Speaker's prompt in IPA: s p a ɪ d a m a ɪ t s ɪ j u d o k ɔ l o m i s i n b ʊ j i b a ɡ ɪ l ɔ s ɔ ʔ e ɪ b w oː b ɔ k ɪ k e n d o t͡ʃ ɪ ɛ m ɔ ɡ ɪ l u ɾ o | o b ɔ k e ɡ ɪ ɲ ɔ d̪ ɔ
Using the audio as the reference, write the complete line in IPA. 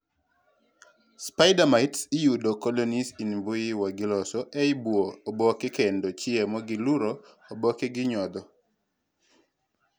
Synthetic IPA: s p a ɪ d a m a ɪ t s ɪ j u d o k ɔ l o n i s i n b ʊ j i w a ɡ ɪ l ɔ s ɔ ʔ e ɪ b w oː b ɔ k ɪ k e n d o t͡ʃ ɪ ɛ m ɔ ɡ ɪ l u ɾ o | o b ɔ k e ɡ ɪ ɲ ɔ d̪ ɔ